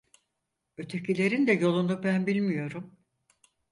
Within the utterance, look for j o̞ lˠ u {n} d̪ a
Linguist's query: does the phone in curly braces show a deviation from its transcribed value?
no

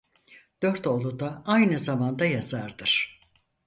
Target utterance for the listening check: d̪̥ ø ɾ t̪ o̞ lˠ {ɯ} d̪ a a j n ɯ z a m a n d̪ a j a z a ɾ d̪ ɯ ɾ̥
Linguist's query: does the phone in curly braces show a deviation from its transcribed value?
yes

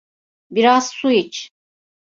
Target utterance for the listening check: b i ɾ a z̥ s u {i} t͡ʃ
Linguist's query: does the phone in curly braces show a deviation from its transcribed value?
no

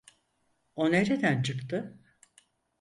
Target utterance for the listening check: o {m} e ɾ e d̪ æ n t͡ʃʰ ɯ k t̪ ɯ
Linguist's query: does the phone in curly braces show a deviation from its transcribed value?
yes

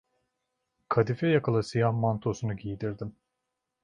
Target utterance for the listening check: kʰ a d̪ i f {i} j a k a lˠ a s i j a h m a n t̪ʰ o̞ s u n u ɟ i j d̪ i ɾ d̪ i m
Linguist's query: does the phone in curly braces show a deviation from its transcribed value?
yes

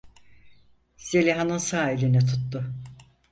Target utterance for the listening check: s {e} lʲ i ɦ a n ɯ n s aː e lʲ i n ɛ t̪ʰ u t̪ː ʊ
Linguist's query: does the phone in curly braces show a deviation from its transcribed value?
no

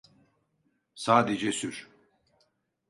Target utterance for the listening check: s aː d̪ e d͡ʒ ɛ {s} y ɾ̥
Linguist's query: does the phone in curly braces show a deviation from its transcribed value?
no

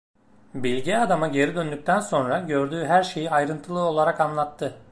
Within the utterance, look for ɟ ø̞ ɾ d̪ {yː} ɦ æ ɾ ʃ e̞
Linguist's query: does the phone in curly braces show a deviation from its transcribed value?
no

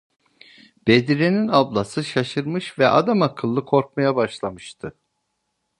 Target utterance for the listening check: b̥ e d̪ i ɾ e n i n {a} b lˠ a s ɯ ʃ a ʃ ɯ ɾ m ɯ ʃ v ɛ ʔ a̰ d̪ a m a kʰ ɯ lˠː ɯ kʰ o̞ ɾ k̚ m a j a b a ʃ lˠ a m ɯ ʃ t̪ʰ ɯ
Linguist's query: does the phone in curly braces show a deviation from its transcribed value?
no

